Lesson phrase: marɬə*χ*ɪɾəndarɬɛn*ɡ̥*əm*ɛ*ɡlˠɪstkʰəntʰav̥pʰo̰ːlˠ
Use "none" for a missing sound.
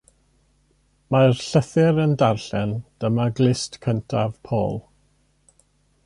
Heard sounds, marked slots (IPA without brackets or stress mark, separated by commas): θ, d̥, a